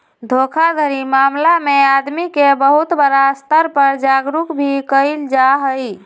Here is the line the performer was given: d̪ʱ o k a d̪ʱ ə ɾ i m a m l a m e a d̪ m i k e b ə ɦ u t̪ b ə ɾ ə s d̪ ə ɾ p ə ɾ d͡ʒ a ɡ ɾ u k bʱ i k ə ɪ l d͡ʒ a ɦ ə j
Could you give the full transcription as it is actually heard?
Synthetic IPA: d̪ʱ o kʰ a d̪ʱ ə ɾ i m a m l a m e a d̪ m i k e b ə ɦ u t̪ b ə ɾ a s t̪ ə ɾ p ə ɾ d͡ʒ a ɡ ɾ u k bʱ i k ə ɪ l d͡ʒ a ɦ ə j